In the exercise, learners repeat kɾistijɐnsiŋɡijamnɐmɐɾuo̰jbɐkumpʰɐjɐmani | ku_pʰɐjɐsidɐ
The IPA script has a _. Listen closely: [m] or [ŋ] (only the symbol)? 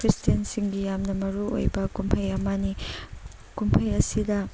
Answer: m